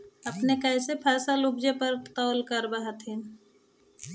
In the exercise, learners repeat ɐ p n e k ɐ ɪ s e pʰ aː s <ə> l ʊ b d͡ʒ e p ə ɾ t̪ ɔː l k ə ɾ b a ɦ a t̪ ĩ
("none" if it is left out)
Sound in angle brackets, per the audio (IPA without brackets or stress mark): a